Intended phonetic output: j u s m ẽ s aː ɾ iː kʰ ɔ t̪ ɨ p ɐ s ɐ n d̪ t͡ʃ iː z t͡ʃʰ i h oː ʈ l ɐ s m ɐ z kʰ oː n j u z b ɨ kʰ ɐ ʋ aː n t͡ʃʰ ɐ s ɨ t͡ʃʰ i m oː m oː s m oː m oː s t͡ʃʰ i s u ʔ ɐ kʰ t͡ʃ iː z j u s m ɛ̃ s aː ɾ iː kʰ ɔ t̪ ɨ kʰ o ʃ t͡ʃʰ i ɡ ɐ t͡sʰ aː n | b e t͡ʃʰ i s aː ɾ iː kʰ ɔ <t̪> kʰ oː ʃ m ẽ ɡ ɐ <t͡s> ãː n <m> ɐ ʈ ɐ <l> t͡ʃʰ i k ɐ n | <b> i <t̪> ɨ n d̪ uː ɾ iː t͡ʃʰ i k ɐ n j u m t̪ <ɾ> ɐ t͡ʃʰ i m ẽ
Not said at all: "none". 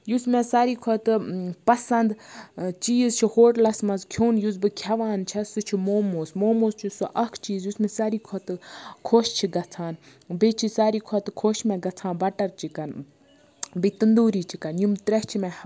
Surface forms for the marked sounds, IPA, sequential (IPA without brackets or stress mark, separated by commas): t̪, t͡sʰ, b, ɾ, b, t̪, ɾ